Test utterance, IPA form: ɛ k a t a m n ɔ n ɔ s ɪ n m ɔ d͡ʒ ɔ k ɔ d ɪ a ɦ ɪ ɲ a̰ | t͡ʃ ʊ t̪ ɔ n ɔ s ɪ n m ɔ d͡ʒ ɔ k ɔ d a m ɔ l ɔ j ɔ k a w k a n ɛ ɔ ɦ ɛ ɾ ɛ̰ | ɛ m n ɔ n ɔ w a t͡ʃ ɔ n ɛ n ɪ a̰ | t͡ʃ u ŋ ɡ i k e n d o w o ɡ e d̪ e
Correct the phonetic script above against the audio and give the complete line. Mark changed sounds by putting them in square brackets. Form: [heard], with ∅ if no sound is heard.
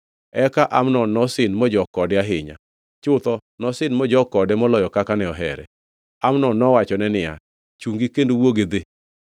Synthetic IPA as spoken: ɛ k a [ʔ] a m n ɔ n ɔ s ɪ n m ɔ d͡ʒ ɔ k ɔ d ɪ a ɦ ɪ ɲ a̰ | t͡ʃ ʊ t̪ ɔ n ɔ s ɪ n m ɔ d͡ʒ ɔ k ɔ d [ɛ] m ɔ l ɔ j ɔ k a [∅] k a n ɛ ɔ ɦ ɛ ɾ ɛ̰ | [a] m n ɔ n ɔ w a t͡ʃ ɔ n ɛ n ɪ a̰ | t͡ʃ u ŋ ɡ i k e n d o w o ɡ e d̪ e